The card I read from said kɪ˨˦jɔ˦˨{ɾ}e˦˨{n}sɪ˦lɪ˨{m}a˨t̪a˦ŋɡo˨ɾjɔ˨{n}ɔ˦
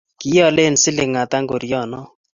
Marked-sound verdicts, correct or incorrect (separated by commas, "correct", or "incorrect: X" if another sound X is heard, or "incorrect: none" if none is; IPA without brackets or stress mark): incorrect: l, correct, incorrect: ŋ, correct